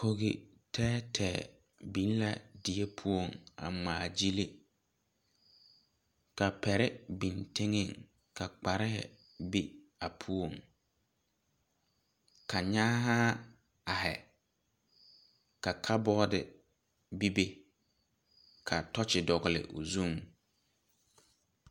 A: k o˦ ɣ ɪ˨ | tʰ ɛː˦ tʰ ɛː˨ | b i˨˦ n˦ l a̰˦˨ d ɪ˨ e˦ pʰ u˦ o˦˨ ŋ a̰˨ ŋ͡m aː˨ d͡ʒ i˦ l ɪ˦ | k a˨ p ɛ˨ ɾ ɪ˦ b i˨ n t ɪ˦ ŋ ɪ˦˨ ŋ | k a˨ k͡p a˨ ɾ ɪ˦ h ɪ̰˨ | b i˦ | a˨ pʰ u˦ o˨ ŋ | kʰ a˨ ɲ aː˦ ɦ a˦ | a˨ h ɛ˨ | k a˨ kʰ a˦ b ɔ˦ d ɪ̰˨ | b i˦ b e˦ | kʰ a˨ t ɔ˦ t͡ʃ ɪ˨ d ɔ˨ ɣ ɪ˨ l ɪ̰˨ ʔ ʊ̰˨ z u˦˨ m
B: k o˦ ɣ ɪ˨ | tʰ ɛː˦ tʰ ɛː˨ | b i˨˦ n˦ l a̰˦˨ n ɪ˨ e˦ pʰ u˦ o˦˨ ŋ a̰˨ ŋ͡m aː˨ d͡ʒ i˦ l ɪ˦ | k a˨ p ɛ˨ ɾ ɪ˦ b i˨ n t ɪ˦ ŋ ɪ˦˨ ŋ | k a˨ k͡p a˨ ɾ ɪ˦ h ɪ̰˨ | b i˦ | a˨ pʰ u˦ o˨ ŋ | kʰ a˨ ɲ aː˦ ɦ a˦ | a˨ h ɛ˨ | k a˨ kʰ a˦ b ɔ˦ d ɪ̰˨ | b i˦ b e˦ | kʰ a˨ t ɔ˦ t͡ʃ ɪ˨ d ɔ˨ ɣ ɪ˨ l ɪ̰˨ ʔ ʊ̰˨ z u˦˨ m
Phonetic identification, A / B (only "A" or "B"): A